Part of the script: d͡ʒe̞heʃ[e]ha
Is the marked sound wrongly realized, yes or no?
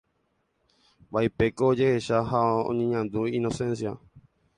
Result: yes